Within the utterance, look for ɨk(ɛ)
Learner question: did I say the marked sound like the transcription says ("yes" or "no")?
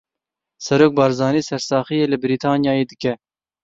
yes